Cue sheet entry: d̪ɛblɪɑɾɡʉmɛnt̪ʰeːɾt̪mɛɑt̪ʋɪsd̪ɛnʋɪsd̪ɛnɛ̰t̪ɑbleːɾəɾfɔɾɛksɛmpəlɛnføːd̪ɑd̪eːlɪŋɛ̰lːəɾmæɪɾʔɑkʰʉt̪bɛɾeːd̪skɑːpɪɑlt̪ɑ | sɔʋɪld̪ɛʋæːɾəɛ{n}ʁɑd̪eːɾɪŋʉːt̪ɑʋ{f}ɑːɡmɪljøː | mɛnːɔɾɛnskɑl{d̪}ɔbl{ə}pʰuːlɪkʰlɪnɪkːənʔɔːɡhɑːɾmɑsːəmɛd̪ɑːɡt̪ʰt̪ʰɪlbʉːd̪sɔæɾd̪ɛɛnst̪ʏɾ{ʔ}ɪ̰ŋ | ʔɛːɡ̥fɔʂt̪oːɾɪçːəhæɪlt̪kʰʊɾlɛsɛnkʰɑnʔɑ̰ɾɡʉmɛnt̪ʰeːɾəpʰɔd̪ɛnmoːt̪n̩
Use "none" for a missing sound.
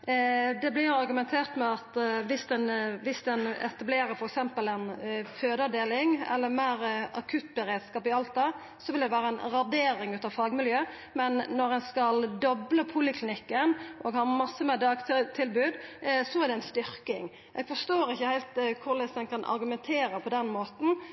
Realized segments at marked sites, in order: n, f, d̪, ə, k

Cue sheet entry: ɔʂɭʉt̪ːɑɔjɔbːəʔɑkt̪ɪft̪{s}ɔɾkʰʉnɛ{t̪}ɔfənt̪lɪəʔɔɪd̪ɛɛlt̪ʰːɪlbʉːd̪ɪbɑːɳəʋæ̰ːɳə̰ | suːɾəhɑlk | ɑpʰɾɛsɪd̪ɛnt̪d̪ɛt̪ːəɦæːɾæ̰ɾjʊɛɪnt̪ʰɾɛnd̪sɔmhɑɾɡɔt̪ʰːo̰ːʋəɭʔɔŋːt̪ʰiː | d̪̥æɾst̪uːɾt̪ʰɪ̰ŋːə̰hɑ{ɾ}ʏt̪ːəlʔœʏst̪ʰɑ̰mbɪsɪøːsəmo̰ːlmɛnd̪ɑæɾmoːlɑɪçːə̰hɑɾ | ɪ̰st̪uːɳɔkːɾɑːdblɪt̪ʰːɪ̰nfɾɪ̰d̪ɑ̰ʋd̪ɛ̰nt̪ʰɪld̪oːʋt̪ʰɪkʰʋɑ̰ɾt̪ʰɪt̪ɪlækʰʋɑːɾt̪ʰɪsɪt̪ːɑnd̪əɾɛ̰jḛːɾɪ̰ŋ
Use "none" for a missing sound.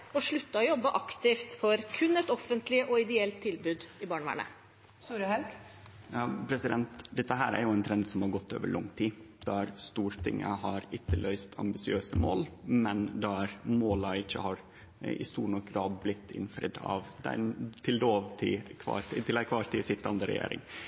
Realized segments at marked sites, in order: f, t̪, ɾ

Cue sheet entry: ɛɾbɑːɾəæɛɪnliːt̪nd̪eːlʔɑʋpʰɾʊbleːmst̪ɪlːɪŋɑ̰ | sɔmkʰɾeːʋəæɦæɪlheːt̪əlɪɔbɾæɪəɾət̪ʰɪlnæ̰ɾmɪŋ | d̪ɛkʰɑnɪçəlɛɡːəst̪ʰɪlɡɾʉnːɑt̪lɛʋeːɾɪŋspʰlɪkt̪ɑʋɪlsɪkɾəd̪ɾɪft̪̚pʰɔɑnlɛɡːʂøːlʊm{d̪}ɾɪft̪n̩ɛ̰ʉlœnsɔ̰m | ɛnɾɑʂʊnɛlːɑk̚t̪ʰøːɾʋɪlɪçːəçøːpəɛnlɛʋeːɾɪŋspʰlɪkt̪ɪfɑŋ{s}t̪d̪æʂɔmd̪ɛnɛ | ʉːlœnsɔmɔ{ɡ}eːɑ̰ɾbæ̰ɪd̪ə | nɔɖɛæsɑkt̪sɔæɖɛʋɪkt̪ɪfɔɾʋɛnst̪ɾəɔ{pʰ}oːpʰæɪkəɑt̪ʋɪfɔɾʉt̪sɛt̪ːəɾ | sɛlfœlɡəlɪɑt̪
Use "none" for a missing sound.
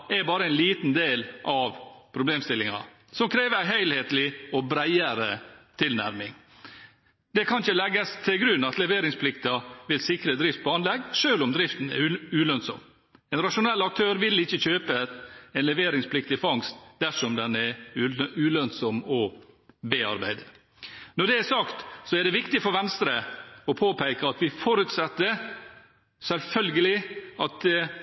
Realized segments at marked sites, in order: d̪, s, b, pʰ

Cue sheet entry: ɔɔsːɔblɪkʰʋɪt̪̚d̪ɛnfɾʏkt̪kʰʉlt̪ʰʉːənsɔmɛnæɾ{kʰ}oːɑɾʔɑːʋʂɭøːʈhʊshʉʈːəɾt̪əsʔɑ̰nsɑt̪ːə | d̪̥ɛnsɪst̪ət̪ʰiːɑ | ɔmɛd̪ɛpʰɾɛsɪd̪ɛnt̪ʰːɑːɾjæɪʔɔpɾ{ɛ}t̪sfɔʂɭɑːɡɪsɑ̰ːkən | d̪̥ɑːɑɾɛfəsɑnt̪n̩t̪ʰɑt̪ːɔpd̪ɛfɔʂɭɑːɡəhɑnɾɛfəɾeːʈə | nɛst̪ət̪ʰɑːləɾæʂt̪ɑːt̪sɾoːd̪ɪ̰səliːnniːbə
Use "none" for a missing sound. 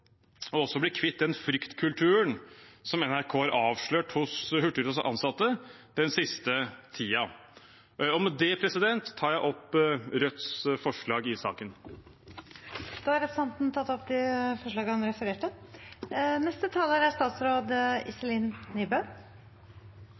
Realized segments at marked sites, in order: kʰ, œ

